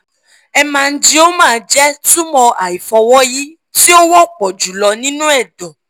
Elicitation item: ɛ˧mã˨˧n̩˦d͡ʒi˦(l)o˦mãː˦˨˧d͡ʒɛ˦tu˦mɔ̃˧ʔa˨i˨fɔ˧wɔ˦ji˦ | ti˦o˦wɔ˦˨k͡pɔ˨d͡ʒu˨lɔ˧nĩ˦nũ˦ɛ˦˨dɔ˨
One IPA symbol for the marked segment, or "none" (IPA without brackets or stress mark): none